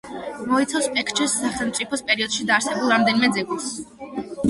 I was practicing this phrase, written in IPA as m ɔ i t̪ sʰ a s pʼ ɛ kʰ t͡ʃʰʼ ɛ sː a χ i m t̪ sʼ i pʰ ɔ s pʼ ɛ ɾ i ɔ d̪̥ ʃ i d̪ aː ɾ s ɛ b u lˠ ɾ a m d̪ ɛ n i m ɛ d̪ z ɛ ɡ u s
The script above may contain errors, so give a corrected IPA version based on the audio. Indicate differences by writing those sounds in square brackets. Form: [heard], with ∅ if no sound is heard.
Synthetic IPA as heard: m ɔ i t̪ sʰ a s pʼ ɛ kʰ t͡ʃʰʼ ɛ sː a χ [ɛ] m t̪ sʼ i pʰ ɔ s pʼ ɛ ɾ i ɔ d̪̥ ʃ i d̪ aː ɾ s ɛ b u lˠ ɾ a m d̪ ɛ n i m ɛ d̪ z ɛ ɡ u s